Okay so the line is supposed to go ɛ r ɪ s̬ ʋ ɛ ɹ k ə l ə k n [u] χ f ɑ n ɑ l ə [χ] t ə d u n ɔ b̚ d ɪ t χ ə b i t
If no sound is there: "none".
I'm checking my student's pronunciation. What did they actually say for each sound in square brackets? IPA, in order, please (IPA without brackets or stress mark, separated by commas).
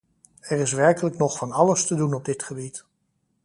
ɔ, s